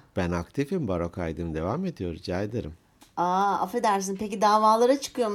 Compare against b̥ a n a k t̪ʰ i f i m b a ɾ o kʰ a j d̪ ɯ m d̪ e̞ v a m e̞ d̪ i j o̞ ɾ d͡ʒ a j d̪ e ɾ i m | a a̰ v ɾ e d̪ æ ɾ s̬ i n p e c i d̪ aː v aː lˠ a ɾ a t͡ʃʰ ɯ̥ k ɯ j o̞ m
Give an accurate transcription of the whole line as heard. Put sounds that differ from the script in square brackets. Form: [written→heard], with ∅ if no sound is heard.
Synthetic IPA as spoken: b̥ [a→æ] n a k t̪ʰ i f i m b a ɾ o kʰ a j d̪ ɯ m d̪ e̞ v a m e̞ d̪ i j o̞ ɾ d͡ʒ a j d̪ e ɾ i m | a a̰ [v→f] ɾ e d̪ æ ɾ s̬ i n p e c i d̪ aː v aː lˠ a ɾ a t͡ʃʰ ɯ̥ k ɯ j o̞ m